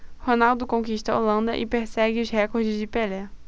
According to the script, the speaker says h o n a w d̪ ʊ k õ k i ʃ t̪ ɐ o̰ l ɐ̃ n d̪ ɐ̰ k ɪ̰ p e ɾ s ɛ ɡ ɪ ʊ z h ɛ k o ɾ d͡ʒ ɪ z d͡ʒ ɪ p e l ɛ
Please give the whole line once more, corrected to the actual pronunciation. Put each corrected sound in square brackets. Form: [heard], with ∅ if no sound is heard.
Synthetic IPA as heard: h o n a w d̪ ʊ k õ k i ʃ t̪ ɐ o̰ l ɐ̃ n d̪ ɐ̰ [ʔ] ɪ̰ p e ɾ s ɛ ɡ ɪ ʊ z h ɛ k o ɾ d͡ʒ ɪ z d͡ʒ ɪ p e l ɛ